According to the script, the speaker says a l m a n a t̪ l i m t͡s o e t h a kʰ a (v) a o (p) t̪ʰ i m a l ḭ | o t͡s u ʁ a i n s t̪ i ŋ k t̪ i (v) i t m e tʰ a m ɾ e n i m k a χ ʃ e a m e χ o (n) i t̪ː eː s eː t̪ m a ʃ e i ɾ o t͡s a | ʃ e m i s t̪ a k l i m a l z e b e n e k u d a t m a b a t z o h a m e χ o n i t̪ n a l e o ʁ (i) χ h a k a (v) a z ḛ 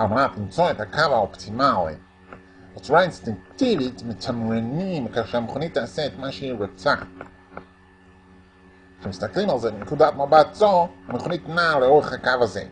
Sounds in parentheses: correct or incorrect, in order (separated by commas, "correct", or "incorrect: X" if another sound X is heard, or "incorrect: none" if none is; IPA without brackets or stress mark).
correct, correct, correct, correct, incorrect: e, correct